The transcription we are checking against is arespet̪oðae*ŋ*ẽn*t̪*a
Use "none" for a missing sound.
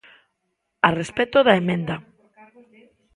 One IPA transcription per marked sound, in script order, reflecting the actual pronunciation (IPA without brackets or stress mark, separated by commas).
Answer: m, d̪